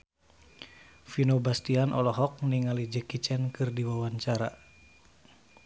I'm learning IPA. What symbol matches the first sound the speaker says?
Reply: f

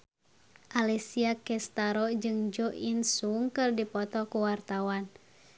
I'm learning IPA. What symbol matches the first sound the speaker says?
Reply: ʔ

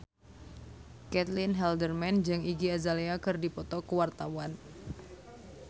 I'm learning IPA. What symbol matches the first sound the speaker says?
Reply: k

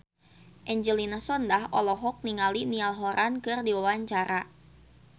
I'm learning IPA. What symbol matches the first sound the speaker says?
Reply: ʔ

